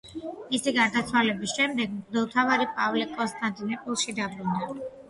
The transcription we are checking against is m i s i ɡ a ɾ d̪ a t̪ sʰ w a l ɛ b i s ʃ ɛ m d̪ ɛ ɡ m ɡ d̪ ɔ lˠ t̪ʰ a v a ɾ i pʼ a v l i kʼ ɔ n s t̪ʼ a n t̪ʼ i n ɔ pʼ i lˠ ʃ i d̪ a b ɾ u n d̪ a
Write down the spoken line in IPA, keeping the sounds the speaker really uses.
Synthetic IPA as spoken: m i s i ɡ a ɾ d̪ a t̪ sʰ w a l ɛ b i s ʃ ɛ m d̪ ɛ ɡ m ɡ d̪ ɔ lˠ t̪ʰ a v a ɾ i pʼ a v l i kʼ ɔ n s t̪ʼ a n t̪ʼ i n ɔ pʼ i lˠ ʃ i d̪ a b ɾ u n d̪ a